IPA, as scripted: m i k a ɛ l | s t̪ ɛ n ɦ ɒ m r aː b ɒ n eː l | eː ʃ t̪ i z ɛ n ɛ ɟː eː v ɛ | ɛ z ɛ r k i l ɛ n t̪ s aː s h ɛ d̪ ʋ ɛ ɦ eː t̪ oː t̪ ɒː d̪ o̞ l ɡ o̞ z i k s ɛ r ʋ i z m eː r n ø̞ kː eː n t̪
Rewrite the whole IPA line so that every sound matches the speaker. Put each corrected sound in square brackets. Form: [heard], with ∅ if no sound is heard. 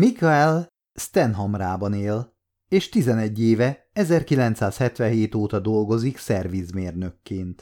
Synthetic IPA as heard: m i k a ɛ l | s t̪ ɛ n ɦ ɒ m r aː b ɒ n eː l | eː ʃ t̪ i z ɛ n ɛ ɟː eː v ɛ | ɛ z ɛ r k i l ɛ n t̪ s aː s h ɛ [t̪] ʋ ɛ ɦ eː t̪ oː t̪ [ɒ] d̪ o̞ l ɡ o̞ z i k s ɛ r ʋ i z m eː r n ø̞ kː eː n t̪